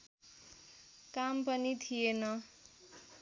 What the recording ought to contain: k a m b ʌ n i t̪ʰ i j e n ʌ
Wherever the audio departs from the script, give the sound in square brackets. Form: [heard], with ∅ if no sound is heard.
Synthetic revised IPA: k a m [p] ʌ n i t̪ʰ i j e n ʌ